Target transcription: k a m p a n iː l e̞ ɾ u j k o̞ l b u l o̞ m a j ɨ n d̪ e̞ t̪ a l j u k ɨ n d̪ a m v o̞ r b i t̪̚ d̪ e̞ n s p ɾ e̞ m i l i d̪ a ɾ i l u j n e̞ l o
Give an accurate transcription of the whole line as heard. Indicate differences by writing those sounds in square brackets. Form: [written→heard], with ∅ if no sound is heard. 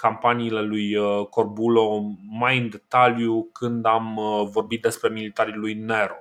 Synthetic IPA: k a m p a n iː l e̞ [ɾ→l] u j k o̞ [l→r] b u l o̞ m a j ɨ n d̪ e̞ t̪ a l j u k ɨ n d̪ a m v o̞ r b i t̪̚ d̪ e̞ [n→∅] s p ɾ e̞ m i l i [d̪→t̪] a ɾ i l u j n e̞ [l→ɾ] o